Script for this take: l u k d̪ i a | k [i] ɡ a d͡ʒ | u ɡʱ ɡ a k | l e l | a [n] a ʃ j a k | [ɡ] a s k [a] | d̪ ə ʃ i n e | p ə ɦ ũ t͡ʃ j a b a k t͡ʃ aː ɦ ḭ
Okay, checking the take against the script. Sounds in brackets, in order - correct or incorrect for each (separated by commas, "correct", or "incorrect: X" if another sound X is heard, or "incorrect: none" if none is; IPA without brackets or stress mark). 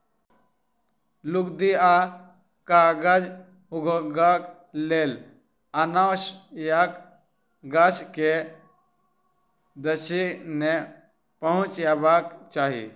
incorrect: a, correct, correct, incorrect: e